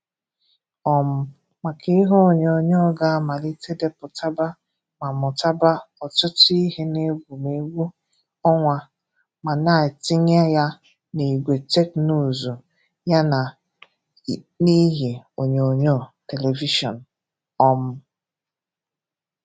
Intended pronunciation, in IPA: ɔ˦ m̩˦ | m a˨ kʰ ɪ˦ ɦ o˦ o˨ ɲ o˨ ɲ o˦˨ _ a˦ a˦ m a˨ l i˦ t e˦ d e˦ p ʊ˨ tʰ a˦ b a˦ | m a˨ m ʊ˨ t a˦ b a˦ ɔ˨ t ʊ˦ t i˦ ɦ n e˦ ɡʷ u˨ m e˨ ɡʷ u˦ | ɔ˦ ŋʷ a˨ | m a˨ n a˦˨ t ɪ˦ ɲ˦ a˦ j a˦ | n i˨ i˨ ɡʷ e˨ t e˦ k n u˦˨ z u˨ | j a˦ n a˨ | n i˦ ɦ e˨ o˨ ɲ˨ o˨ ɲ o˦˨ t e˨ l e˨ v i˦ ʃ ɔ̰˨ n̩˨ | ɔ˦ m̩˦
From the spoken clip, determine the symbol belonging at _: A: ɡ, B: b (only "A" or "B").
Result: A